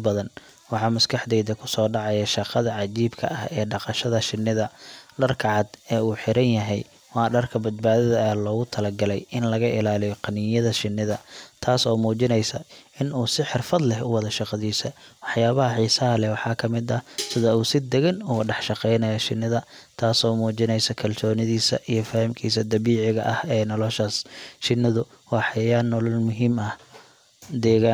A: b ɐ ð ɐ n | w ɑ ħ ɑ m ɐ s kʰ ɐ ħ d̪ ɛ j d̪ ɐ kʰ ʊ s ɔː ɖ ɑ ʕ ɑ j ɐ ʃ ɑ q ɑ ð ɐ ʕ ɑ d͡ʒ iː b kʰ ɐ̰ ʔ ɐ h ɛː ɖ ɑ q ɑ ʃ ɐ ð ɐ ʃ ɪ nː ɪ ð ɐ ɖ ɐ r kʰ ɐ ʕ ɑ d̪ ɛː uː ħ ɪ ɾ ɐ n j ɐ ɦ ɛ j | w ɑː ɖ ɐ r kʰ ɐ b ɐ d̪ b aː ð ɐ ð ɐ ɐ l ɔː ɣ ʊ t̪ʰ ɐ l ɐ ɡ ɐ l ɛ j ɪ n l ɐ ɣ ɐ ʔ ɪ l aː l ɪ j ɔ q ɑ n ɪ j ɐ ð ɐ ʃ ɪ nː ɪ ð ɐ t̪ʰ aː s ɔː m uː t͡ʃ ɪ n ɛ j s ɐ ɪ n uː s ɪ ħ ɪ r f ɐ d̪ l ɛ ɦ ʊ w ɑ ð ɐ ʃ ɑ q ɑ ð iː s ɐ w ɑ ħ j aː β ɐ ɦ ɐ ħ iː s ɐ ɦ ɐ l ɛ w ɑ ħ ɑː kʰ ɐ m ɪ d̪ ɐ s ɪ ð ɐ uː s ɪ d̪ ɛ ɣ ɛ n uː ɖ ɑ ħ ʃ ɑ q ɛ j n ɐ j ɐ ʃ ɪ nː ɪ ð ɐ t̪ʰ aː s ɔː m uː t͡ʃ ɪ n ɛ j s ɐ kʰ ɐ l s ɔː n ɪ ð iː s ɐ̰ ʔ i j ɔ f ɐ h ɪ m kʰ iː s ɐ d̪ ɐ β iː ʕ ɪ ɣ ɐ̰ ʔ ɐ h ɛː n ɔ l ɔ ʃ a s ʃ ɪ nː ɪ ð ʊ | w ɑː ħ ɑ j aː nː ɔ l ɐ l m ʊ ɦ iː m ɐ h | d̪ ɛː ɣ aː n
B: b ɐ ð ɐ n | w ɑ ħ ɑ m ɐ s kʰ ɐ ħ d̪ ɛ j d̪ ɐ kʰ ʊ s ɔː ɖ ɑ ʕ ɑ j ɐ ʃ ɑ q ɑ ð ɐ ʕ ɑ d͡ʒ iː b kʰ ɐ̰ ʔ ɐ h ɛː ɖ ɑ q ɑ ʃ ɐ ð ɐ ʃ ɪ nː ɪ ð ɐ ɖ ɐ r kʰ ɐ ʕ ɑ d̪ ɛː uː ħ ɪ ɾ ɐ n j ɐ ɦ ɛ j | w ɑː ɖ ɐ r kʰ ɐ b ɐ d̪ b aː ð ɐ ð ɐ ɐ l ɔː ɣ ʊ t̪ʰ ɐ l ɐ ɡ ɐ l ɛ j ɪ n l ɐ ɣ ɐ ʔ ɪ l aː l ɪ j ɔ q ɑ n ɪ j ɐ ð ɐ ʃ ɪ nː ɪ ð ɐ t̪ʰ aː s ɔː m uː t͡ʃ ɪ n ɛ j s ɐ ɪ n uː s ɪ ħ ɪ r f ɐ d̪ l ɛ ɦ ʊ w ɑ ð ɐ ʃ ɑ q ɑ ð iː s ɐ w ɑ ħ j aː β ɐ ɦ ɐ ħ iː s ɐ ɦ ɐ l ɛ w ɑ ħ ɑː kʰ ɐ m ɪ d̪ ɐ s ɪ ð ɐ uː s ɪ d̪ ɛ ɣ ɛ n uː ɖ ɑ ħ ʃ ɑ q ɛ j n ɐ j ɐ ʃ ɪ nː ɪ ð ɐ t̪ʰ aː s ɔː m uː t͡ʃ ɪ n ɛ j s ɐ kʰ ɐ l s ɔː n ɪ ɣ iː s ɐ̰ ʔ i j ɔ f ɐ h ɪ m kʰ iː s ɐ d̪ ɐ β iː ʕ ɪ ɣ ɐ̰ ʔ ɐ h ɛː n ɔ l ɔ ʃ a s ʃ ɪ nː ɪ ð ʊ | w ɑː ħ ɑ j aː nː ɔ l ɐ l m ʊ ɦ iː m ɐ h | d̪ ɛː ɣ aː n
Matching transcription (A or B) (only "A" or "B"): A